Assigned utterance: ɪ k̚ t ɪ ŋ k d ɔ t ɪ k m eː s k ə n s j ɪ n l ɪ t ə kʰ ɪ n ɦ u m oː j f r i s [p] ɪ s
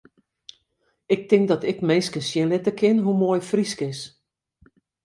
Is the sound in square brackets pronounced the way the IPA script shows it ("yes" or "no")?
no